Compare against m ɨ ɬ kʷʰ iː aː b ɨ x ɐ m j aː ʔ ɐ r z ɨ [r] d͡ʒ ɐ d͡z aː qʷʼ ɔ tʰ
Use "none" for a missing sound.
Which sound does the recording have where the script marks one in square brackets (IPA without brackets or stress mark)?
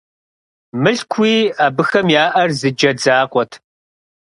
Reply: none